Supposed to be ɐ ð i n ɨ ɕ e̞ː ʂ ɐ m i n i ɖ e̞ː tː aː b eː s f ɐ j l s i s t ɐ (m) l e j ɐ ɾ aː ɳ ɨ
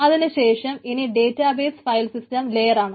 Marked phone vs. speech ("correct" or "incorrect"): correct